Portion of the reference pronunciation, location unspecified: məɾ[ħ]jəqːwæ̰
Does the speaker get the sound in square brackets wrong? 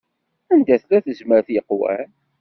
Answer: yes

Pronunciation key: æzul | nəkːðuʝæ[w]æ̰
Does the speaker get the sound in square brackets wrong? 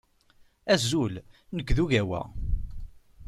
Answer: no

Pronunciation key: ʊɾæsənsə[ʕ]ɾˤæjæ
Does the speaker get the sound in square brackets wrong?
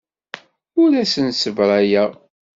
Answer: yes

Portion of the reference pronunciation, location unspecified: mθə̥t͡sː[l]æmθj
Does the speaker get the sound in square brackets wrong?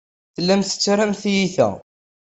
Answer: yes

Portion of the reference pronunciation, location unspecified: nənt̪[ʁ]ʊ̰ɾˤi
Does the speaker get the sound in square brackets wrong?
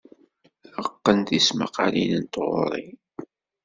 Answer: no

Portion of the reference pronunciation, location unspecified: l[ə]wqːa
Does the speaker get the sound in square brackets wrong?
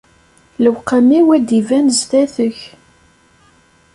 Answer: no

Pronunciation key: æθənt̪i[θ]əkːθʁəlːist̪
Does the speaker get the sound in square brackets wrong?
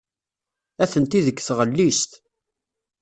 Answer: yes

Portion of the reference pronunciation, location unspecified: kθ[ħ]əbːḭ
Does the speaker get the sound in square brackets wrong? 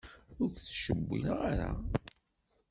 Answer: yes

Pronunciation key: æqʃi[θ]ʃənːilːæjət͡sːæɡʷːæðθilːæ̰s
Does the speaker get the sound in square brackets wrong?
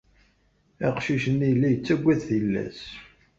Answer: yes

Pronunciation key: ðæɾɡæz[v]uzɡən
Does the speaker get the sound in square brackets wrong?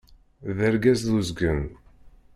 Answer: yes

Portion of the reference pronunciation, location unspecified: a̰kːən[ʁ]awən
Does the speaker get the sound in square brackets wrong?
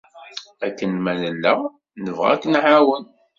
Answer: yes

